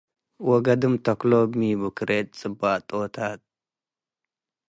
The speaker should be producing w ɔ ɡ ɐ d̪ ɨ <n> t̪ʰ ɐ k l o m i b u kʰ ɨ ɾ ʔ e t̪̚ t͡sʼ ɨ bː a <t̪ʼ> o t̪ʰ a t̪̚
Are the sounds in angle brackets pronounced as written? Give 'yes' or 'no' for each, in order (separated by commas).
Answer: no, yes